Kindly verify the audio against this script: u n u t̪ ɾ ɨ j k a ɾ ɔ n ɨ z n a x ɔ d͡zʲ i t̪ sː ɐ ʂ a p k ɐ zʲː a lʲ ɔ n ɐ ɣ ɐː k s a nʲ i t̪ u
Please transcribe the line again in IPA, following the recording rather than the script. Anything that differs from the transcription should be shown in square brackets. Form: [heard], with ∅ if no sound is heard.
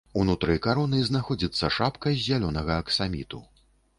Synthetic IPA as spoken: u n u t̪ ɾ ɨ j k a ɾ ɔ n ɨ z n a x ɔ d͡zʲ i t̪ sː ɐ ʂ a p k ɐ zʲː a lʲ ɔ n ɐ ɣ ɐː k s a [mʲ] i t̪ u